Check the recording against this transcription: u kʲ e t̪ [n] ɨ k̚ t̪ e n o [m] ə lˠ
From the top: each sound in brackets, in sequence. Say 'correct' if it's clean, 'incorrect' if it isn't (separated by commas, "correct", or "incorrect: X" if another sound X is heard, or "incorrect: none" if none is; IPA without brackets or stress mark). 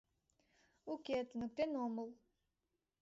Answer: correct, correct